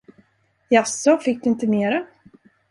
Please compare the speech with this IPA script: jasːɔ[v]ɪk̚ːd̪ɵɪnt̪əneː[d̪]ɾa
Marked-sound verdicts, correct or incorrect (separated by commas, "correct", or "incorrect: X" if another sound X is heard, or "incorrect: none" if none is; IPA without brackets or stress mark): incorrect: f, incorrect: none